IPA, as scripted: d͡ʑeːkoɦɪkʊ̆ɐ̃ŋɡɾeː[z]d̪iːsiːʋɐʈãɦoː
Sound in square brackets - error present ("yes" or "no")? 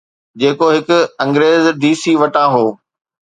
no